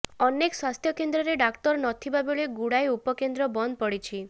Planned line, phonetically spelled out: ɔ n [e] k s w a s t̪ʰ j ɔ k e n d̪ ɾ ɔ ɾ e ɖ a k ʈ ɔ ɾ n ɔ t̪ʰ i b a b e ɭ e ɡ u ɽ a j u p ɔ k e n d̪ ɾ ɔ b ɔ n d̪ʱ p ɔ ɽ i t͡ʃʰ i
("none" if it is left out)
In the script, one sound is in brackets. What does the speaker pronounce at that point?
e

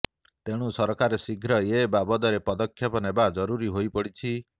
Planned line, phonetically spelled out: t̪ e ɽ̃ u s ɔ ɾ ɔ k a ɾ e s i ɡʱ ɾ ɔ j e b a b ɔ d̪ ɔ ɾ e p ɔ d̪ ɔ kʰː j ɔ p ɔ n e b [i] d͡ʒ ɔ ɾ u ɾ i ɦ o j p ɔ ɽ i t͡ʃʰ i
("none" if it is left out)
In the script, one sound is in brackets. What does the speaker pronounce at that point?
a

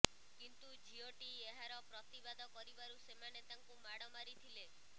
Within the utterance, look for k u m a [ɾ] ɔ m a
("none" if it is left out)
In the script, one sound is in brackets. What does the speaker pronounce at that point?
ɽ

